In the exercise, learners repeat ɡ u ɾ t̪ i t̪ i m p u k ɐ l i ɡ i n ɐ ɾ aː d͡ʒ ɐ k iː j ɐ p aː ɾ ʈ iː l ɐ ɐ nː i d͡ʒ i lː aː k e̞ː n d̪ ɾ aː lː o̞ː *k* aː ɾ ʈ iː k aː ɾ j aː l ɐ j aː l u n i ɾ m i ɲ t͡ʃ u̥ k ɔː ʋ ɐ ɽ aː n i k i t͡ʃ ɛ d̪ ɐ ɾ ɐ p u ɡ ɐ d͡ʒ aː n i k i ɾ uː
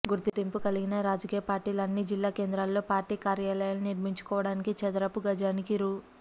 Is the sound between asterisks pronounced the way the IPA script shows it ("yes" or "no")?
no